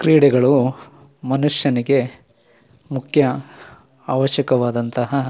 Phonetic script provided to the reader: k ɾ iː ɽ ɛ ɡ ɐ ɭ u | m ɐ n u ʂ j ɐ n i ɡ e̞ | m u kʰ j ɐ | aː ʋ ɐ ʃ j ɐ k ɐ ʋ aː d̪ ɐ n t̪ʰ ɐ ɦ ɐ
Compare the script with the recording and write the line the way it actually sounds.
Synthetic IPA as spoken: k ɾ iː ɽ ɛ ɡ ɐ ɭ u | m ɐ n u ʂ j ɐ n i ɡ e̞ | m u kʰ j ɐ | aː ʋ ɐ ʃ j ɐ k ɐ ʋ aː d̪ ɐ n t̪ ɐ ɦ ɐ